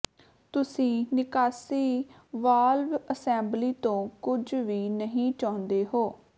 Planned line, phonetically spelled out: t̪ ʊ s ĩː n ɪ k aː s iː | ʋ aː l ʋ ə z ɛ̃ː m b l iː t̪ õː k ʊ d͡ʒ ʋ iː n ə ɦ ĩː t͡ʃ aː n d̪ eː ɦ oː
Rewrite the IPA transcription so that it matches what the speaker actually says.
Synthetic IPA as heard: t̪ ʊ s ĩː n ɪ k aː s iː | ʋ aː l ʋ ə s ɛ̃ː m b l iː t̪ õː k ʊ d͡ʒ ʋ iː n ə ɦ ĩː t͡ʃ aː n d̪ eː ɦ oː

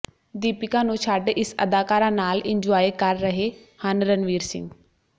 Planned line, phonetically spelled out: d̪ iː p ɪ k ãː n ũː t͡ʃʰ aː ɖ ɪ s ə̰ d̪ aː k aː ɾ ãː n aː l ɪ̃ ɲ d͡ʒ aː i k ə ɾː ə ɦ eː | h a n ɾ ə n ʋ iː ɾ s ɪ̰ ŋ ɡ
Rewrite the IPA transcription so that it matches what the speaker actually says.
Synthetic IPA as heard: d̪ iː p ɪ k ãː n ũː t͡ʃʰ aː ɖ ɪ s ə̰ d̪ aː k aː ɾ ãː n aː l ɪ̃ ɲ d͡ʒ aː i k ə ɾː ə ɦ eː | h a n ɾ ə n ʋ iː ɾ s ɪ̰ ŋ ɡ

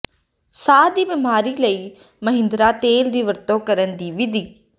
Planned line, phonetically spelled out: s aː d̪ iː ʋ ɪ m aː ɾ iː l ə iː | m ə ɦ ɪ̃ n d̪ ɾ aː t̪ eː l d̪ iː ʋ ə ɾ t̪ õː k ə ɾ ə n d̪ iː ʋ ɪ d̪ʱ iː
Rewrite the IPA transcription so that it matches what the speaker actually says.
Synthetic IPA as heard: s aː d̪ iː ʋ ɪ m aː ɾ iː l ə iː | m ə ɦ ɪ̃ n d̪ ɾ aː t̪ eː l d̪ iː ʋ ə ɾ t̪ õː k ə ɾ ə n d̪ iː ʋ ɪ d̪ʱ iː

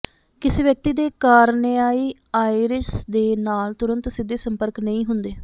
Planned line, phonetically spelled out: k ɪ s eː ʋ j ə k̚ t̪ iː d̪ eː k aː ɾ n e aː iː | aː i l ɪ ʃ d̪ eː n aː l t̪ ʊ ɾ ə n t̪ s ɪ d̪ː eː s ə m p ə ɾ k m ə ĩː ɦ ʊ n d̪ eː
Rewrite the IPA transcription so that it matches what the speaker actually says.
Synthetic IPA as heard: k ɪ s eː ʋ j ə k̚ t̪ iː d̪ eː k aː ɾ n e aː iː | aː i ɾ ɪ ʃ d̪ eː n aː l t̪ ʊ ɾ ə n t̪ s ɪ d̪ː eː s ə m p ə ɾ k n ə ĩː ɦ ʊ n d̪ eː

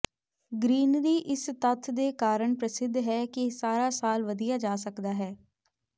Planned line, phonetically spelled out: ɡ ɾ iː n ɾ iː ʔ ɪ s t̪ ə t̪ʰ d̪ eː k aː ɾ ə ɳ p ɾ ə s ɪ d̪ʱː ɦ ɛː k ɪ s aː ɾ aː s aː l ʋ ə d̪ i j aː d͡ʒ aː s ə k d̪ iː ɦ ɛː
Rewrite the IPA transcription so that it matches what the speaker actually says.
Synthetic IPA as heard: ɡ ɾ iː n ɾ iː ʔ ɪ s t̪ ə t̪ʰ d̪ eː k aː ɾ ə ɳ p ɾ ə s ɪ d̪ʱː ɦ ɛː k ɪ s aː ɾ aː s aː l ʋ ə d̪ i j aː d͡ʒ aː s ə k d̪ aː ɦ ɛː

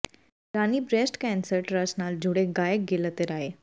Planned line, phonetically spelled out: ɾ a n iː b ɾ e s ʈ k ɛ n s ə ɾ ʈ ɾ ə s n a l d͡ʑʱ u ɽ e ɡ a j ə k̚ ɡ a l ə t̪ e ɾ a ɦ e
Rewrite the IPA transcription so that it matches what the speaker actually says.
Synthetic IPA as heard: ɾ a n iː b ɾ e s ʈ k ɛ n s ə ɾ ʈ ɾ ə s n a l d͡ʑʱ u ɽ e ɡ a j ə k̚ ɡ e l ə t̪ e ɾ a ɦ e

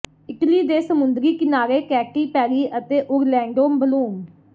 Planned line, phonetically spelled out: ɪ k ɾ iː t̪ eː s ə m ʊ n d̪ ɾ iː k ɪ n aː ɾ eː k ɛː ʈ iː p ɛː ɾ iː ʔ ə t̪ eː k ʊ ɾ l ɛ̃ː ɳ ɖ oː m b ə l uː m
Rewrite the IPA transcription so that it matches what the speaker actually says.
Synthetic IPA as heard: ɪ k l iː d̪ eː s ə m ʊ n d̪ ɾ iː k ɪ n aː ɾ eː k ɛː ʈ iː p ɛː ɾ iː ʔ ə t̪ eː ʔ ʊ ɾ l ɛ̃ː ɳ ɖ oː m b ə l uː m

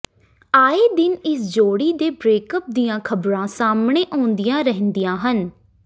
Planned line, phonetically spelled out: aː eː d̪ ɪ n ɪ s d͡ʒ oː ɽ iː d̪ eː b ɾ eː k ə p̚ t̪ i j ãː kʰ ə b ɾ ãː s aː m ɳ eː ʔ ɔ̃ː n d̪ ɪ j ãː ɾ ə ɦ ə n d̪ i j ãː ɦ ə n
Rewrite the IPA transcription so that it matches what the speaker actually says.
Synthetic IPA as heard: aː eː d̪ ɪ n ɪ s d͡ʒ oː ɽ iː d̪ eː b ɾ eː k ə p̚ d̪ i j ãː kʰ ə b ɾ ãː s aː m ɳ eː ʔ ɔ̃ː n d̪ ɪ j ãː ɾ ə ɦ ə n d̪ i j ãː ɦ ə n

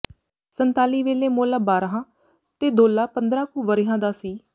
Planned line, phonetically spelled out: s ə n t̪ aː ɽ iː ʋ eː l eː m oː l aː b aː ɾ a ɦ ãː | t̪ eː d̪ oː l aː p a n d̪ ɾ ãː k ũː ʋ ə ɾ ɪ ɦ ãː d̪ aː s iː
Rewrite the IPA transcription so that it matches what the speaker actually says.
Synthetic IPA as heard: s ə n t̪ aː l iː ʋ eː l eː m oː l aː b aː ɾ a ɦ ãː | t̪ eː d̪ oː l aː p ə n d̪ ɾ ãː k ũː ʋ ə ɾ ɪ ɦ ãː d̪ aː s iː

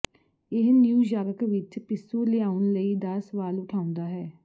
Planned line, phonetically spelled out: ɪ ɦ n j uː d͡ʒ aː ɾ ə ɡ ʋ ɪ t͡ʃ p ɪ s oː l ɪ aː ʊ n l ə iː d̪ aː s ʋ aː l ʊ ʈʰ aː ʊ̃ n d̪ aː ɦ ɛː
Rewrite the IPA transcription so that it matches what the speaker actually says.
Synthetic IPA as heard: ɪ ɦ n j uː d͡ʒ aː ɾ ə k ʋ ɪ t͡ʃ p ɪ s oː l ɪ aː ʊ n l ə iː d̪ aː s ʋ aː l ʊ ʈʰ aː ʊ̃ n d̪ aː ɦ ɛː

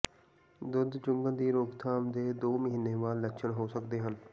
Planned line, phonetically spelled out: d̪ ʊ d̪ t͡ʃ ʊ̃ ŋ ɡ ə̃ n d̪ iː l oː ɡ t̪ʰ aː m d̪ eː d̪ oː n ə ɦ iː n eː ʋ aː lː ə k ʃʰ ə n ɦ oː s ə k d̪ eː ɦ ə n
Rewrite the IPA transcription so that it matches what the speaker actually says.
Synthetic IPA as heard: d̪ ʊ d̪ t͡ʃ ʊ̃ ŋ ɡ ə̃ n d̪ iː ɾ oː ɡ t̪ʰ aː m d̪ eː d̪ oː m ə ɦ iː n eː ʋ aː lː ə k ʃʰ ə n ɦ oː s ə k d̪ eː ɦ ə n

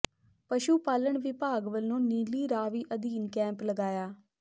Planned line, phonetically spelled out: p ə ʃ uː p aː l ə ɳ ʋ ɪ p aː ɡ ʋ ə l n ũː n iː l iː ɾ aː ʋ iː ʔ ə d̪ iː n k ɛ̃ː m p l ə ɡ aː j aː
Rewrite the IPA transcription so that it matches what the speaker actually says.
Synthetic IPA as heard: p ə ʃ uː p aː l ə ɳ ʋ ɪ p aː ɡ ʋ ə l n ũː n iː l iː ɾ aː ʋ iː ʔ ə d̪ iː n k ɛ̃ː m p l ə ɡ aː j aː

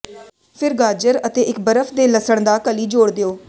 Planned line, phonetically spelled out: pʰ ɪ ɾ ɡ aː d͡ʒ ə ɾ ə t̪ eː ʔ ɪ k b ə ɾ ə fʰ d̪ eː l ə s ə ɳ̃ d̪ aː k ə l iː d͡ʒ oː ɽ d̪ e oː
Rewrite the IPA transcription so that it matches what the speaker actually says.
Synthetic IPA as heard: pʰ ɪ ɾ ɡ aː d͡ʒ ə ɾ ə t̪ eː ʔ ɪ k b ə ɾ ə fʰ d̪ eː l ə s ə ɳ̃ d̪ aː k ə l iː d͡ʒ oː ɽ d̪ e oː

